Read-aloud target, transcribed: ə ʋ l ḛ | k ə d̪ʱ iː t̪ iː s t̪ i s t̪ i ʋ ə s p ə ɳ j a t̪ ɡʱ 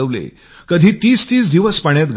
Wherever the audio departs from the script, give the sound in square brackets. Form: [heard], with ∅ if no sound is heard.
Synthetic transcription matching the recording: ə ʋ l ḛ | k ə d̪ʱ iː t̪ iː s t̪ [iː] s [d̪] i ʋ ə s p ə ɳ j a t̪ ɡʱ

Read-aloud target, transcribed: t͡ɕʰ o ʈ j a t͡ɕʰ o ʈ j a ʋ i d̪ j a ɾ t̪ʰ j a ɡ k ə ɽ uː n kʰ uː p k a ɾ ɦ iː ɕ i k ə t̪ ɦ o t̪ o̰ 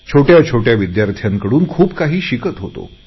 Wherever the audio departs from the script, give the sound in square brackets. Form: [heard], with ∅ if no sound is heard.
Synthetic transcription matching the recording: t͡ɕʰ o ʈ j a t͡ɕʰ o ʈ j a ʋ i d̪ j a ɾ t̪ʰ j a [ŋ] k ə ɽ uː n kʰ uː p k a [∅] ɦ iː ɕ i k ə t̪ ɦ o t̪ o̰

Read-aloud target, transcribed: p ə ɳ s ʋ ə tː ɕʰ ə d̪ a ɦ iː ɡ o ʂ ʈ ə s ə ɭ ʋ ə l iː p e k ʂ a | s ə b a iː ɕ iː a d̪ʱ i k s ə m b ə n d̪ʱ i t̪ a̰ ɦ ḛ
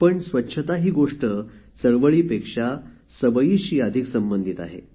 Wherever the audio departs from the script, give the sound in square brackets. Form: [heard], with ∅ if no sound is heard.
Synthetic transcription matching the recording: p ə ɳ s ʋ ə tː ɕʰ ə [t̪] a ɦ iː ɡ o ʂ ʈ ə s ə ɭ ʋ ə [ɭ] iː p e k ʂ a | s ə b [ə] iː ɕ iː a d̪ʱ i k s ə m b ə n d̪ʱ i t̪ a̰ ɦ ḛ

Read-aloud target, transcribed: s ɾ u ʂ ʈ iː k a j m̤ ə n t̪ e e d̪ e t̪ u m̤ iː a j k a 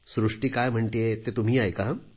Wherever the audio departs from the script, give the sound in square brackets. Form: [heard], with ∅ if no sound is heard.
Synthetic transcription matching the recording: s ɾ u ʂ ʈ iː k a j m̤ ə [ɳ] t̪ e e [t̪] e t̪ u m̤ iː a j k a

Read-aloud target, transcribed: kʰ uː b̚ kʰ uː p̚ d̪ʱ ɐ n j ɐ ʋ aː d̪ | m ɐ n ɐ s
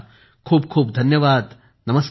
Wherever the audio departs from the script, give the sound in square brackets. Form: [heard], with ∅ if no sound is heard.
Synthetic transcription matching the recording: kʰ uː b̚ kʰ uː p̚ d̪ʱ ɐ n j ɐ ʋ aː d̪ | [n] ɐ [m] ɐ s

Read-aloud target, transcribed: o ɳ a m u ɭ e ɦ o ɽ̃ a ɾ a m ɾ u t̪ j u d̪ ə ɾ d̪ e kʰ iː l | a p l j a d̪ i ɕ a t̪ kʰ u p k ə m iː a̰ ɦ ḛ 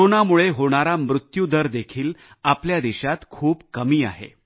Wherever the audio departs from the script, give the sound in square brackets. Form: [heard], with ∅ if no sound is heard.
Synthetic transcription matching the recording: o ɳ a m u ɭ e ɦ o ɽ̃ a ɾ a m ɾ u t̪ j u d̪ ə ɾ d̪ e kʰ iː l | a p l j a d̪ i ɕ a t̪ kʰ [uː] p k ə m iː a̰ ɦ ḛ

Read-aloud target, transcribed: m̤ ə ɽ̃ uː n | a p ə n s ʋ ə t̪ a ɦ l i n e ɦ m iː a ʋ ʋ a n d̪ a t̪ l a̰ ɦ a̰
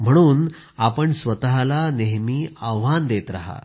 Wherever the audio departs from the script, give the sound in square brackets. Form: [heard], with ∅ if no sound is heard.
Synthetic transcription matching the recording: m̤ ə ɽ̃ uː n | a p ə [ɳ] s ʋ ə t̪ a ɦ l [a] n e ɦ m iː a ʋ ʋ a n d̪ [e] t̪ [ɾ] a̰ ɦ a̰

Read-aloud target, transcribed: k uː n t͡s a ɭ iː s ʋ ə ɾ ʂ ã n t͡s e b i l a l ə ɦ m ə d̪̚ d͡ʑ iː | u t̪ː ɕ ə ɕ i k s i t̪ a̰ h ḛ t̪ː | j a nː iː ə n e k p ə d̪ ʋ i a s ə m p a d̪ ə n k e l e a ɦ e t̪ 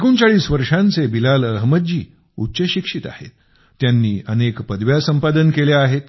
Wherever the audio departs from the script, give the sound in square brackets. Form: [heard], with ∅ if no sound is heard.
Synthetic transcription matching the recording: k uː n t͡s a ɭ iː s ʋ ə ɾ ʂ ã n t͡s e b i l a l ə ɦ m ə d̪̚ d͡ʑ iː | u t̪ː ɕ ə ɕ i k [ʂ] i t̪ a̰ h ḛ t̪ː | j a nː iː ə n e k p ə d̪ ʋ [j] a s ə m p a d̪ ə n k e l e a ɦ e t̪

